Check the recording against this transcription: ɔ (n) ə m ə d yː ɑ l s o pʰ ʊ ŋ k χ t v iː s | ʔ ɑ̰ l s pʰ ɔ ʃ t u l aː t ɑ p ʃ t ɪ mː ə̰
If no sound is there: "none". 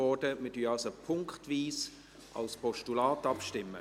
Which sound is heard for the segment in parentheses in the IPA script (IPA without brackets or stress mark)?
d